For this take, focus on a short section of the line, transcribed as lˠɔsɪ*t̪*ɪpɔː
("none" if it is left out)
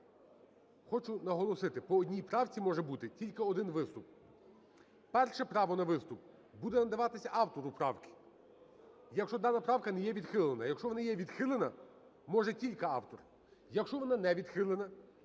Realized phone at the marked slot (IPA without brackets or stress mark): t̪